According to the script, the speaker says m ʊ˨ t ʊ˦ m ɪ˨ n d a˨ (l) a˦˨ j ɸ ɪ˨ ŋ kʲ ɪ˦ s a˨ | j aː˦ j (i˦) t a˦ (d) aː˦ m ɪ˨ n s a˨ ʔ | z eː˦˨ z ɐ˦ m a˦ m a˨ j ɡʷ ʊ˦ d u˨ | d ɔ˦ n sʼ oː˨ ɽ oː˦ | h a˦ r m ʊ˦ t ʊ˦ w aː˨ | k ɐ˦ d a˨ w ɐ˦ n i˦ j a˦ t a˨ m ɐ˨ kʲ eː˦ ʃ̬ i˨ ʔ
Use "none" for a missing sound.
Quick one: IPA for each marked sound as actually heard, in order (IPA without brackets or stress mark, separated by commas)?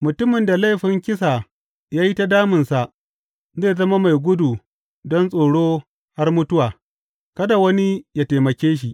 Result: l, i˦, d